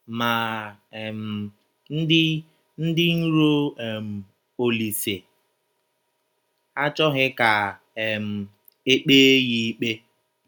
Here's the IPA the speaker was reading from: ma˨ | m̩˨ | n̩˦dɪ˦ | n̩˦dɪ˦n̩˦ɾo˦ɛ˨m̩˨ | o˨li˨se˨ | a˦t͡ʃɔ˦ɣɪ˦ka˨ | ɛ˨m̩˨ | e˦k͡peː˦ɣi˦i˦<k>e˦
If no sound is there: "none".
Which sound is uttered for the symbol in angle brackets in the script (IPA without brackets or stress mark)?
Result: k͡p